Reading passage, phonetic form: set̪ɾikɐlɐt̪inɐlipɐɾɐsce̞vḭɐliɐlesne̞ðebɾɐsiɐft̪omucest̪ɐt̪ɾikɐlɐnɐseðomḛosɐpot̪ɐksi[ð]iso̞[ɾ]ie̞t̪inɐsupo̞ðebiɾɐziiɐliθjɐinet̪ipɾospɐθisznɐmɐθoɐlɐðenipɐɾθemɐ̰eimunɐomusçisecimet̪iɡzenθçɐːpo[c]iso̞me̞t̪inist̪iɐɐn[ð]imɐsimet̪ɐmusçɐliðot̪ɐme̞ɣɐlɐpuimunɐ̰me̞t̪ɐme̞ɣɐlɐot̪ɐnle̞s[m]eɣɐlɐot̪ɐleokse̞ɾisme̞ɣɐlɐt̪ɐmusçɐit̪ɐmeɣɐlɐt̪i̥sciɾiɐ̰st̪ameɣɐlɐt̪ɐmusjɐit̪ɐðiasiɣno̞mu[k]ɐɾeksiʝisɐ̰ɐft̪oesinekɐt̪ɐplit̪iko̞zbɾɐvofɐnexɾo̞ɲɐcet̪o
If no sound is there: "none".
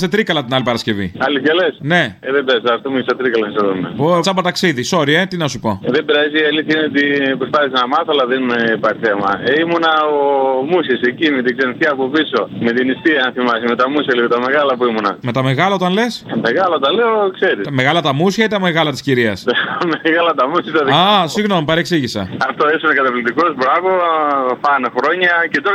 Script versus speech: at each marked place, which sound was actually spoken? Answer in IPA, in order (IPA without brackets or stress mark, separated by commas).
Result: ð, ɾ, p, θ, m, p